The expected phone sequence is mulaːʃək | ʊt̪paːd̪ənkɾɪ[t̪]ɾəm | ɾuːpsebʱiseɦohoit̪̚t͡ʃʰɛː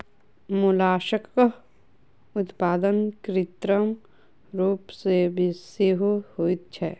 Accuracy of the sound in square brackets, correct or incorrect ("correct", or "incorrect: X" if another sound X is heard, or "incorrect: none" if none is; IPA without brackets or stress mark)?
correct